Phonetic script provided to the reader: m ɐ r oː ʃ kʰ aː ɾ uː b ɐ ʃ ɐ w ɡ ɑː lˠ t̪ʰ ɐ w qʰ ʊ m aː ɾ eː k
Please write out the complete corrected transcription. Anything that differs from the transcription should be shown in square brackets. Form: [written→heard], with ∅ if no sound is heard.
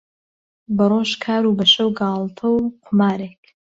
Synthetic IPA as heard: [m→b] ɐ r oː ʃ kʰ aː ɾ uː b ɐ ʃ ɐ w ɡ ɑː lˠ t̪ʰ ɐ w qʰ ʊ m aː ɾ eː k